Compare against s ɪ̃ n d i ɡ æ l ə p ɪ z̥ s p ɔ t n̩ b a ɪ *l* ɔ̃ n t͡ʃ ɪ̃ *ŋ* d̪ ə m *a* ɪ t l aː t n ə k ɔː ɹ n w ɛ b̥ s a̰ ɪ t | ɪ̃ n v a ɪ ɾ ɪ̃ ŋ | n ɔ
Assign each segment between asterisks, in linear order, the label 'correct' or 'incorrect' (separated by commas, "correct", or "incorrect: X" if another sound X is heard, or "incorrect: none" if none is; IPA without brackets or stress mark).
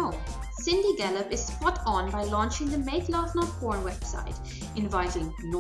correct, correct, incorrect: e